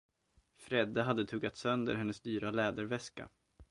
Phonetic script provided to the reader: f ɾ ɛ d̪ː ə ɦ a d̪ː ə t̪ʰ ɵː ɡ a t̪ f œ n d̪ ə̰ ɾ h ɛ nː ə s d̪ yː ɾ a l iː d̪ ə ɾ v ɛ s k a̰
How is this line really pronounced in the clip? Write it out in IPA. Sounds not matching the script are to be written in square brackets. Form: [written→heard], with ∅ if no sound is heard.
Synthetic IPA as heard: f ɾ ɛ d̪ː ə ɦ a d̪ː ə t̪ʰ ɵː ɡ a t̪ [f→s] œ n d̪ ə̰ ɾ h ɛ nː ə s d̪ yː ɾ a l [iː→ɛː] d̪ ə ɾ v ɛ s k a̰